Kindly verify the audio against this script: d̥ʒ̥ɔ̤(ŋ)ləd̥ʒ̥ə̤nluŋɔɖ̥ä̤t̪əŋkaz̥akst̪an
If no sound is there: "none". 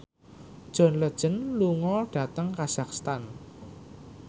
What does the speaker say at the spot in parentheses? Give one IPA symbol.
n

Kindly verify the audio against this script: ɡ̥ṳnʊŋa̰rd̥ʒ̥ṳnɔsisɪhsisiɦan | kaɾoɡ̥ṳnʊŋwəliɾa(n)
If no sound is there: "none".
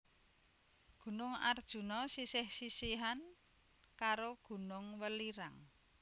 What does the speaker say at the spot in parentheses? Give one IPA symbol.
ŋ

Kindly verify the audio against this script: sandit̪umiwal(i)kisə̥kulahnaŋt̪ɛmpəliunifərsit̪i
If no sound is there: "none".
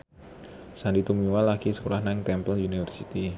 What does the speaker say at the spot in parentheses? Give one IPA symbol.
a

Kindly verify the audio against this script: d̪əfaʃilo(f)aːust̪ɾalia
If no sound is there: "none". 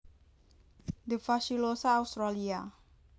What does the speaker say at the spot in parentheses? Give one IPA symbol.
s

